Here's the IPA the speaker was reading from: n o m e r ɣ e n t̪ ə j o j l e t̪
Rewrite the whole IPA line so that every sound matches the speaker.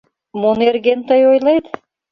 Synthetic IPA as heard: m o n e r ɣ e n t̪ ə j o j l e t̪